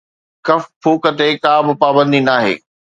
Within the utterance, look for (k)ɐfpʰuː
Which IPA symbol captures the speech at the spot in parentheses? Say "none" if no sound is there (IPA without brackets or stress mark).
k